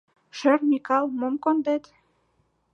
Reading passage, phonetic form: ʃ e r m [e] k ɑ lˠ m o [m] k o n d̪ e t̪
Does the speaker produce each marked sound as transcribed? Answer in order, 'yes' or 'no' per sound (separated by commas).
no, yes